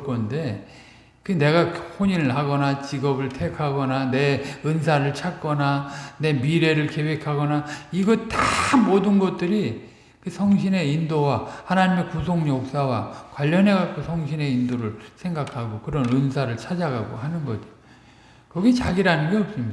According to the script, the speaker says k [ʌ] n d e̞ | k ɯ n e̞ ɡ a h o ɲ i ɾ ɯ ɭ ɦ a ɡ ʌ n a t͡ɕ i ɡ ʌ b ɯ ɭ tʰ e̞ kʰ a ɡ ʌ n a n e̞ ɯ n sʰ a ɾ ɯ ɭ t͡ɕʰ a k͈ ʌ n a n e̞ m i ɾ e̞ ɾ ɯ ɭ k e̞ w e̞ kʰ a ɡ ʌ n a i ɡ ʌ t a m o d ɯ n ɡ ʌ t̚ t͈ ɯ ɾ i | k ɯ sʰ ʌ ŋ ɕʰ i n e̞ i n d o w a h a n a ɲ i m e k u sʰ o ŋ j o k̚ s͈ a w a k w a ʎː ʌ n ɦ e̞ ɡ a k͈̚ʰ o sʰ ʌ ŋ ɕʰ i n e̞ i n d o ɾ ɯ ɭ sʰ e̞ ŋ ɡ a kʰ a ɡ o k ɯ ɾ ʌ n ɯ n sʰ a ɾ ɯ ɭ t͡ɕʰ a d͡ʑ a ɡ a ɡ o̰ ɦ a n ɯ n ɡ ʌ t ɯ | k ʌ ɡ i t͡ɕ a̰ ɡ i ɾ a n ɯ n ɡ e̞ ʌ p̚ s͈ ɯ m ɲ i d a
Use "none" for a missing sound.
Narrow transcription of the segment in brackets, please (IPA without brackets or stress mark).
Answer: ʌ